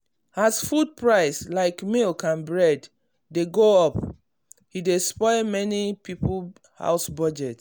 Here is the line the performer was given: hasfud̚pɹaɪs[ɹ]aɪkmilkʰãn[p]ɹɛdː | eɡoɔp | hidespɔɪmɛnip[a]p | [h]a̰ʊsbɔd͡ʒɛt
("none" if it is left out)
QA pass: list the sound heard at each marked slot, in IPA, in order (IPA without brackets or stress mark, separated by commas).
l, b, i, h